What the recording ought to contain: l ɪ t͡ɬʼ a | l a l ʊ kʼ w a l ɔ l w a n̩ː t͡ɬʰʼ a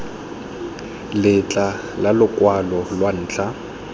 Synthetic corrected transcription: l ɪ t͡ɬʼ a | l a l ʊ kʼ w a l ɔ l w a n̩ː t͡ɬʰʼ a